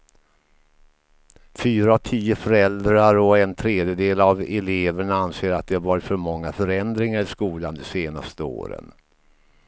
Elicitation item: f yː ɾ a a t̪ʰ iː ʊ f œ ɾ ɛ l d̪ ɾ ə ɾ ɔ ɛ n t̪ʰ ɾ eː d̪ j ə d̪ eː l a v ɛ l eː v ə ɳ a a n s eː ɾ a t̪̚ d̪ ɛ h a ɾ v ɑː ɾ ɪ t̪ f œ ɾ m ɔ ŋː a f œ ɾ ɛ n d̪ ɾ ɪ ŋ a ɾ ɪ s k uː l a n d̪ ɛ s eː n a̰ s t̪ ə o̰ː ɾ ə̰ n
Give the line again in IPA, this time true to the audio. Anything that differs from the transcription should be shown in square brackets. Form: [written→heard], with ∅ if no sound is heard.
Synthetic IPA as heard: f yː ɾ a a t̪ʰ iː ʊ f œ ɾ ɛ l d̪ ɾ [ə→a] ɾ ɔ ɛ n t̪ʰ ɾ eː d̪ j ə d̪ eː l a v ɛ l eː v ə ɳ a a n s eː ɾ a t̪̚ d̪ ɛ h a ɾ v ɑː ɾ ɪ t̪ f œ ɾ m ɔ ŋː a f œ ɾ ɛ n d̪ ɾ ɪ ŋ a ɾ ɪ s k uː l a n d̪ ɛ s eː n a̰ s t̪ ə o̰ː ɾ ə̰ n

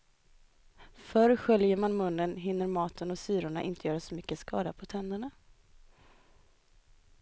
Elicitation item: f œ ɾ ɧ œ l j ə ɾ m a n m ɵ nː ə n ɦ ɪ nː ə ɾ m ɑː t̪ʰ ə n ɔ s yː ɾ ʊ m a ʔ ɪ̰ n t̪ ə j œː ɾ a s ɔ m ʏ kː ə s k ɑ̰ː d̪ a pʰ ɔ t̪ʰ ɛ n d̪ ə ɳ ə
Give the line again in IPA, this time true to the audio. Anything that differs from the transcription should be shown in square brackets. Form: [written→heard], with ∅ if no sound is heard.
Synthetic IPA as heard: f œ ɾ ɧ œ l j ə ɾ m a n m ɵ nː ə n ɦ ɪ nː ə ɾ m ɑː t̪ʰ ə n ɔ s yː ɾ ʊ [m→ɳ] a ʔ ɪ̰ n t̪ ə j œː ɾ a s ɔ m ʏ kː ə s k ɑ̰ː d̪ a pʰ ɔ t̪ʰ ɛ n d̪ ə ɳ [ə→a]

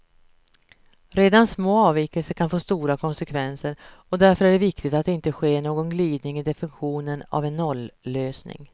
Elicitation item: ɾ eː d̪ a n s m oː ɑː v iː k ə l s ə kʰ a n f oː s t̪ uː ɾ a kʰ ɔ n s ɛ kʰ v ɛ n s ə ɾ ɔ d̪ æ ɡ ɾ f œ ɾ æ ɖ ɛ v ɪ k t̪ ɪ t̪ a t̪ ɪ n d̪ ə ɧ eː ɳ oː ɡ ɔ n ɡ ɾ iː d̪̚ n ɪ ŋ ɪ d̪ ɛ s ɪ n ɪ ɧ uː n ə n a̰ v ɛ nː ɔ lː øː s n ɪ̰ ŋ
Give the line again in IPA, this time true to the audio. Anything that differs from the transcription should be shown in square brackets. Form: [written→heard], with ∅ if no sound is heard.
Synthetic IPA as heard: ɾ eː d̪ a n s m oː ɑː v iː k ə l s ə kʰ a n f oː s t̪ uː ɾ a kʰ ɔ n s ɛ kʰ v ɛ n s ə ɾ ɔ d̪ æ [ɡ→∅] ɾ f œ ɾ æ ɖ ɛ v ɪ k t̪ ɪ t̪ a t̪ ɪ n [d̪→t̪] ə ɧ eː ɳ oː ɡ ɔ n ɡ [ɾ→l] iː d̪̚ n ɪ ŋ ɪ d̪ ɛ [s→f] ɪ n ɪ ɧ uː n ə n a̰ v ɛ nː ɔ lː øː s n ɪ̰ ŋ

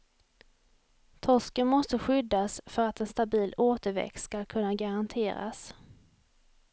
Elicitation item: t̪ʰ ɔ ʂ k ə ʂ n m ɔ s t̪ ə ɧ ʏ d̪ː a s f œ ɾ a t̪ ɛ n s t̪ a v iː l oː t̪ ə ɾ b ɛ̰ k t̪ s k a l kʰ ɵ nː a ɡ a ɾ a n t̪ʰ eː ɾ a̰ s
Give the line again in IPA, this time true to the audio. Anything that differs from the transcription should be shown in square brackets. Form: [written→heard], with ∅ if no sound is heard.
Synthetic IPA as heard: t̪ʰ ɔ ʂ k ə [ʂ→∅] n m ɔ s t̪ ə ɧ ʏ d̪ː a s f œ ɾ a t̪ ɛ n s t̪ a [v→b] iː l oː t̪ ə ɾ [b→v] ɛ̰ k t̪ s k a l kʰ ɵ nː a ɡ a ɾ a n t̪ʰ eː ɾ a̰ s

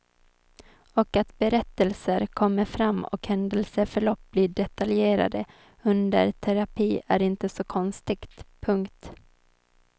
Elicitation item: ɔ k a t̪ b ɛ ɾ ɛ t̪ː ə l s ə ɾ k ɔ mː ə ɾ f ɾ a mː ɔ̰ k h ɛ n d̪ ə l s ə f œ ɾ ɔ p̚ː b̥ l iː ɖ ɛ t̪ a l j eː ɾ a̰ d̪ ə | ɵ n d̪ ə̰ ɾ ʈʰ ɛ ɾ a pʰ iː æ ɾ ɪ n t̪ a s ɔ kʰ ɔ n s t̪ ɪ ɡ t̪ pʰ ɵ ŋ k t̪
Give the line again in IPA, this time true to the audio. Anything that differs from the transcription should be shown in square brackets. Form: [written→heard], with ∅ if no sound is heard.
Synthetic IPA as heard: ɔ k a t̪ b ɛ ɾ ɛ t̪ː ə l s ə ɾ [k→kʰ] ɔ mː ə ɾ f ɾ a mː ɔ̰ k h ɛ n d̪ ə l s ə f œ [ɾ→ɭ] ɔ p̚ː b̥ l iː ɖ ɛ t̪ a l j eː ɾ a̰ d̪ ə | ɵ n d̪ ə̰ ɾ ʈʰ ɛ ɾ a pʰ iː æ ɾ ɪ n t̪ [a→ə] s ɔ kʰ ɔ n s t̪ ɪ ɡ t̪ pʰ ɵ ŋ k t̪

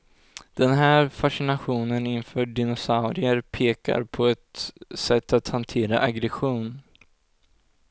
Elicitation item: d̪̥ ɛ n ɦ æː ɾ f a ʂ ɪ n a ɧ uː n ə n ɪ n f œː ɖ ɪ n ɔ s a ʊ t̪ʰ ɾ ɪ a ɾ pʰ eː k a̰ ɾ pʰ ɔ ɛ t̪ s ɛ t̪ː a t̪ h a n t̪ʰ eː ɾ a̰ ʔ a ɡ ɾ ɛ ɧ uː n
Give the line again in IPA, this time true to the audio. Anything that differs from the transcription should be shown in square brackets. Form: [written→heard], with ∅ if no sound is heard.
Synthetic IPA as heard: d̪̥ ɛ n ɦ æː ɾ f a ʂ ɪ n a ɧ uː n ə n ɪ n f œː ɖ ɪ n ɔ s a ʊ [t̪ʰ→∅] ɾ ɪ [a→ə] ɾ pʰ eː k a̰ ɾ pʰ ɔ ɛ t̪ s ɛ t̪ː a t̪ h a n t̪ʰ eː ɾ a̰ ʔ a ɡ ɾ ɛ ɧ uː n

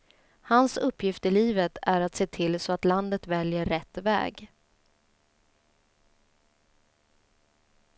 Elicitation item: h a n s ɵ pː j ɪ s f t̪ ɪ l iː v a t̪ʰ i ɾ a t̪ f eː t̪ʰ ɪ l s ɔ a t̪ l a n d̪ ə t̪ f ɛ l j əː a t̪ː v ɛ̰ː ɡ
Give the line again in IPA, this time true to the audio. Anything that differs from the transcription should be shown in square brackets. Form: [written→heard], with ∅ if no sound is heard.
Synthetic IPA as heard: h a n s ɵ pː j ɪ [s→∅] f t̪ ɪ l iː v [a→ə] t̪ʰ [i→æ] ɾ a t̪ [f→s] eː t̪ʰ ɪ l s ɔ a t̪ l a n d̪ ə t̪ [f→v] ɛ l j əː [a→ɛ] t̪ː v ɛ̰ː ɡ

